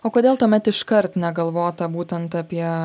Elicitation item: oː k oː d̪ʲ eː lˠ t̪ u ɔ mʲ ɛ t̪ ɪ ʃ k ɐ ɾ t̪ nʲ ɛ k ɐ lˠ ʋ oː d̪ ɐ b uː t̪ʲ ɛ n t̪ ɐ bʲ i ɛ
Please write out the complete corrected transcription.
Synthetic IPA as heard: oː k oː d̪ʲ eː lˠ t̪ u ɔ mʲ ɛ t̪ ɪ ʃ k ɐ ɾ t̪ nʲ ɛ ɡ ɐ lˠ ʋ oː t̪ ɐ b uː t̪ʲ ɛ n t̪ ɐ pʲ i ɛ